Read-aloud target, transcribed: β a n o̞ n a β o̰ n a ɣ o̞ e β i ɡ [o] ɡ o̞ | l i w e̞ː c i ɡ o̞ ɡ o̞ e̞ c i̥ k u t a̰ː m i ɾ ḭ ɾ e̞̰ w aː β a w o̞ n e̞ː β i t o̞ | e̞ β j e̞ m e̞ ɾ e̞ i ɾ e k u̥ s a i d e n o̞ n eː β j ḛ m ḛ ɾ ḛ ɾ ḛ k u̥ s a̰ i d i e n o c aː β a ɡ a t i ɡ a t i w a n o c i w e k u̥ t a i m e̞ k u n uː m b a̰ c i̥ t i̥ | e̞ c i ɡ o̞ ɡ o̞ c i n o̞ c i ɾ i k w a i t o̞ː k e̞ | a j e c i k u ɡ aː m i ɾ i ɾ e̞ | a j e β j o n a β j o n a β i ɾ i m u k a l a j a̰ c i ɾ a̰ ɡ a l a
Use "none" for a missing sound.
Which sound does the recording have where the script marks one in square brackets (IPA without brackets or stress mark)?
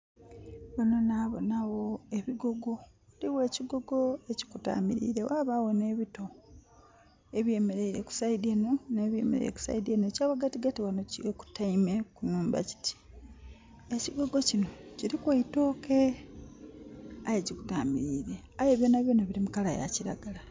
o